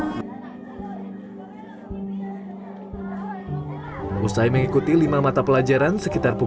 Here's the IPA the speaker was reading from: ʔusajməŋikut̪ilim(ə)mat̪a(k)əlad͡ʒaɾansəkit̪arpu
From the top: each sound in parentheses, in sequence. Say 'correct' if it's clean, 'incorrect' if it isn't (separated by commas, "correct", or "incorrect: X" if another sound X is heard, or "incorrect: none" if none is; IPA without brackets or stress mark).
incorrect: a, incorrect: p